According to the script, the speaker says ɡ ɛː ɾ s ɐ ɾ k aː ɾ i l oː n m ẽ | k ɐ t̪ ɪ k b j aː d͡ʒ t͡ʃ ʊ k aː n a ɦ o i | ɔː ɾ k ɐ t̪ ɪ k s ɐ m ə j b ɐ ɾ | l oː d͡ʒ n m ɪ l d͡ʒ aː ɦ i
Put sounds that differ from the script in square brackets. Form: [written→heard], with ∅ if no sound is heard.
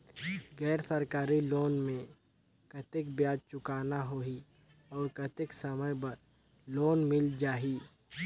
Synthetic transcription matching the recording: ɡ ɛː ɾ s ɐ ɾ k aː ɾ i l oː n m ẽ | k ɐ t̪ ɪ k b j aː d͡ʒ t͡ʃ ʊ k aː n a ɦ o i | ɔː ɾ k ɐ t̪ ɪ k s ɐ m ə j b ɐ ɾ | l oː [d͡ʒ→∅] n m ɪ l d͡ʒ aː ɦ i

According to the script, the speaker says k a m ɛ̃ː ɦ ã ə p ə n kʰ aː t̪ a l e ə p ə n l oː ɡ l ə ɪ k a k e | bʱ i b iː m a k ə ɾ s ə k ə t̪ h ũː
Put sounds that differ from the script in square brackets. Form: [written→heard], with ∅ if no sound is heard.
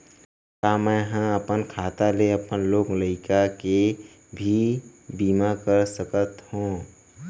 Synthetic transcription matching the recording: k a m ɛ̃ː ɦ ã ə p ə n kʰ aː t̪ a l e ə p ə n l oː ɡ l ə ɪ k a k e | bʱ i b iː m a k ə ɾ s ə k ə t̪ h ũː

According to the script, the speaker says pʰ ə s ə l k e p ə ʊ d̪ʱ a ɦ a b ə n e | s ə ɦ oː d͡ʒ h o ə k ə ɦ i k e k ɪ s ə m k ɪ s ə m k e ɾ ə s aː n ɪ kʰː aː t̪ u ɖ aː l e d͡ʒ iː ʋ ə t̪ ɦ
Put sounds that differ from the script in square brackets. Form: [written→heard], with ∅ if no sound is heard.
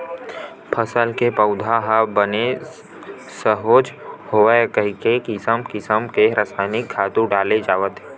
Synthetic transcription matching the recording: pʰ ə s ə l k e p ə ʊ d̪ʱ a ɦ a b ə n e | s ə ɦ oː d͡ʒ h o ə k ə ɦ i k e k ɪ s ə m k ɪ s ə m k e ɾ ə s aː n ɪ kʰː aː t̪ u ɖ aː l e d͡ʒ [iː→aː] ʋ ə t̪ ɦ

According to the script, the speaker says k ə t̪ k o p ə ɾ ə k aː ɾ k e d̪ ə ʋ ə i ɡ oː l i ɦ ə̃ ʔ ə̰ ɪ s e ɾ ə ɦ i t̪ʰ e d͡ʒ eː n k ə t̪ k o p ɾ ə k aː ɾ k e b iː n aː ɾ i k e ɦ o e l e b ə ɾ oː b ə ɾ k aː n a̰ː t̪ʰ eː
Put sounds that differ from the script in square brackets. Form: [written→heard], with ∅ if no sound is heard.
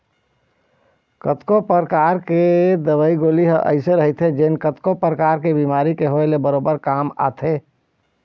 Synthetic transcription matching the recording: k ə t̪ k o p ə ɾ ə k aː ɾ k e d̪ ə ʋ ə i ɡ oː l i ɦ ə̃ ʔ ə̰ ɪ s e ɾ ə ɦ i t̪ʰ e d͡ʒ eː n k ə t̪ k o p ɾ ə k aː ɾ k e b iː [n→m] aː ɾ i k e ɦ o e l e b ə ɾ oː b ə ɾ k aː [n→m] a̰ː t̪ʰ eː

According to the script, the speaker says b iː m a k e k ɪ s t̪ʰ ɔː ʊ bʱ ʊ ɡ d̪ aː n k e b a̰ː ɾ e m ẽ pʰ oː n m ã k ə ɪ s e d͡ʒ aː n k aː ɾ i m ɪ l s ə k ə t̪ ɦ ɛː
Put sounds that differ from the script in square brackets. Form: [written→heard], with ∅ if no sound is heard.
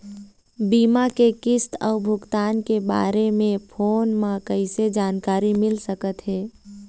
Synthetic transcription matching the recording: b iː m a k e k ɪ s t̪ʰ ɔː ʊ bʱ ʊ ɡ [d̪→t̪] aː n k e b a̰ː ɾ e m ẽ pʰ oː n m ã k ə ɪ s e d͡ʒ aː n k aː ɾ i m ɪ l s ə k ə t̪ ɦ ɛː

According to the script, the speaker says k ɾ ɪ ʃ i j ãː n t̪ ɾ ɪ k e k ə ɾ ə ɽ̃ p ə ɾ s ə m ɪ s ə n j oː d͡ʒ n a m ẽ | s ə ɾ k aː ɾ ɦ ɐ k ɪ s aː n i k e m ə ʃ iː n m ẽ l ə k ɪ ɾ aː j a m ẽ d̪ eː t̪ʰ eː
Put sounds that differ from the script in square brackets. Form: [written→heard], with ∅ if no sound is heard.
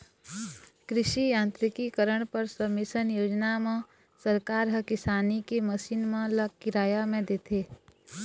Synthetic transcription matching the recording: k ɾ ɪ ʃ i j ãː n t̪ ɾ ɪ k [e→i] k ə ɾ ə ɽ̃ p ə ɾ s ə m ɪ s ə n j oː d͡ʒ n a m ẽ | s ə ɾ k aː ɾ ɦ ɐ k ɪ s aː n i k e m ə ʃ iː n m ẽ l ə k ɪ ɾ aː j a m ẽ d̪ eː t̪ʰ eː

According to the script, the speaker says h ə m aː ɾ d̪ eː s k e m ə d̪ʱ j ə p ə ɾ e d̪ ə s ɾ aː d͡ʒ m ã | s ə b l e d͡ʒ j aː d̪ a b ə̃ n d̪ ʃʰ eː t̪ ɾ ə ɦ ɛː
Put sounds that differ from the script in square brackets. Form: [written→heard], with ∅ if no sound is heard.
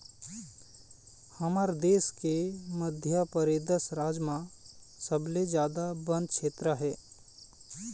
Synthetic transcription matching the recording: h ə m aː ɾ d̪ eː s k e m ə d̪ʱ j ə p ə ɾ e d̪ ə s ɾ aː d͡ʒ m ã | s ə b l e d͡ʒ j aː d̪ a b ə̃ n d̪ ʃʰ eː t̪ ɾ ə ɦ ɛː

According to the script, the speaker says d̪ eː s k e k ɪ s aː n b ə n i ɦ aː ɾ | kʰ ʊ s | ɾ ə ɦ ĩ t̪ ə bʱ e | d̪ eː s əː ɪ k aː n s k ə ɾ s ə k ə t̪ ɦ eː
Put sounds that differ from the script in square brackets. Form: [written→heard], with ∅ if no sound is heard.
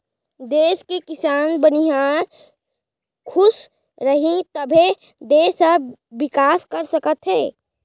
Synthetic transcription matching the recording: d̪ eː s k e k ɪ s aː n b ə n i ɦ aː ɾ | kʰ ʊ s | ɾ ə ɦ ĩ t̪ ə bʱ e | d̪ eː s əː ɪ k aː [n→∅] s k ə ɾ s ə k ə t̪ ɦ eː

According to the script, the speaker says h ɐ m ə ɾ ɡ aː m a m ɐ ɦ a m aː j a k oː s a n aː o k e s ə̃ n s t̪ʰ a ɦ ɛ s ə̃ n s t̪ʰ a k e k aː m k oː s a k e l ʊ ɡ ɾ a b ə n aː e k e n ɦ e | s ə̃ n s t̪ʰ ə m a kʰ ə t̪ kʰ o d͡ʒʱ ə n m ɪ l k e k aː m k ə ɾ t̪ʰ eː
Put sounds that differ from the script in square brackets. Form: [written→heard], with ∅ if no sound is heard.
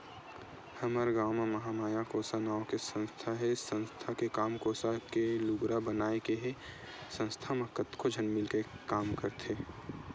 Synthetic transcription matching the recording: h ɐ m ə ɾ ɡ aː m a m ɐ ɦ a m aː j a k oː s a n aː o k e s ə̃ n s t̪ʰ a ɦ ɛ s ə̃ n s t̪ʰ a k e k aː m k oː s a k e l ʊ ɡ ɾ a b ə n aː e k e [n→∅] ɦ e | s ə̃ n s t̪ʰ [ə→a] m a [kʰ→k] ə t̪ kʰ o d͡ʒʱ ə n m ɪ l k e k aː m k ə ɾ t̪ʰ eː

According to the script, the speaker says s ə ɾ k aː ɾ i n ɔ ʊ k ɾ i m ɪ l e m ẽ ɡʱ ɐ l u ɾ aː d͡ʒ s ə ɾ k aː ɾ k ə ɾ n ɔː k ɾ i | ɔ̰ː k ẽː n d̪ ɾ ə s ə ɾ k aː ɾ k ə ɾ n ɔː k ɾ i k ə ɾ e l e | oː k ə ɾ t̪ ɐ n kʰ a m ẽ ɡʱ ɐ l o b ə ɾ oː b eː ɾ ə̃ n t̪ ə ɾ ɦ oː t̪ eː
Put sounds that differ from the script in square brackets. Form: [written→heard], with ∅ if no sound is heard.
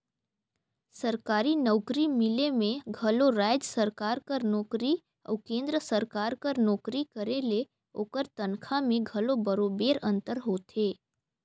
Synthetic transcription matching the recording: s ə ɾ k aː ɾ i n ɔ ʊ k ɾ i m ɪ l e m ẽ ɡʱ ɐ l [u→o] ɾ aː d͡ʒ s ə ɾ k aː ɾ k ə ɾ n ɔː k ɾ i | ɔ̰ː k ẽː n d̪ ɾ ə s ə ɾ k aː ɾ k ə ɾ n ɔː k ɾ i k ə ɾ e l e | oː k ə ɾ t̪ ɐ n kʰ a m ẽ ɡʱ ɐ l o b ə ɾ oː b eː ɾ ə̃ n t̪ ə ɾ ɦ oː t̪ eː

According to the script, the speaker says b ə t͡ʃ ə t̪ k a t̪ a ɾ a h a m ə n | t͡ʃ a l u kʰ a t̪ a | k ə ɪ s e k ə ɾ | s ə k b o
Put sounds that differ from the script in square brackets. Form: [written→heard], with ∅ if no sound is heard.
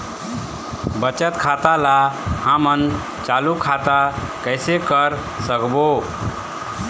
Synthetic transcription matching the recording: b ə t͡ʃ ə t̪ [k→kʰ] a t̪ a [ɾ→l] a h a m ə n | t͡ʃ a l u kʰ a t̪ a | k ə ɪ s e k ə ɾ | s ə k b o

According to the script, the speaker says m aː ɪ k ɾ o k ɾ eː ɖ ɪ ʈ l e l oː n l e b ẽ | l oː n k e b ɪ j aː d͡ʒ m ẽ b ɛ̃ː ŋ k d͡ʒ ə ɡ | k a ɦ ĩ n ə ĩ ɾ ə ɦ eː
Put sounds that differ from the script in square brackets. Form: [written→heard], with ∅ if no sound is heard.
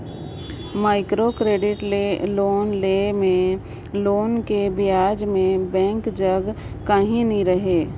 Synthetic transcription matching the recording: m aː ɪ k ɾ o k ɾ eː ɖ ɪ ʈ l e l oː n l e [b→m] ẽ | l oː n k e b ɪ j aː d͡ʒ m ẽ b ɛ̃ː ŋ k d͡ʒ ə ɡ | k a ɦ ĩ n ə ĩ ɾ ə ɦ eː

